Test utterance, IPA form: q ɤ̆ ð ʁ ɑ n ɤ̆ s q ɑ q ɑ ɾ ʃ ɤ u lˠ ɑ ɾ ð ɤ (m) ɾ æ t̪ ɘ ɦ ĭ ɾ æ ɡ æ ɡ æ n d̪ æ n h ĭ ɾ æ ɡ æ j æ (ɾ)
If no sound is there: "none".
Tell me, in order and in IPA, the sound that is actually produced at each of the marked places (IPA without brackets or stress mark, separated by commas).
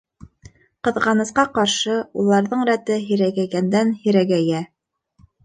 ɴ, none